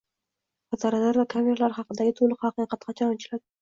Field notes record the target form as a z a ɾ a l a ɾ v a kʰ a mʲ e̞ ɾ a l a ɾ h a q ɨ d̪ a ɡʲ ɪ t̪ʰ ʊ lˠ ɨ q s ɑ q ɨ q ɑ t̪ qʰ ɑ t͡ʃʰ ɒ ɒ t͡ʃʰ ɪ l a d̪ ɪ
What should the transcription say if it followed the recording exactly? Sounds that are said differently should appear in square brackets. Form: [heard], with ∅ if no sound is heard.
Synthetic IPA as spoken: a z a ɾ a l a ɾ v a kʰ a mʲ e̞ ɾ a l a ɾ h [ɑ] q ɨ d̪ a ɡʲ ɪ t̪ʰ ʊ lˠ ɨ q [h] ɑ q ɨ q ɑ t̪ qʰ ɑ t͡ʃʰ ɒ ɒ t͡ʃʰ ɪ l a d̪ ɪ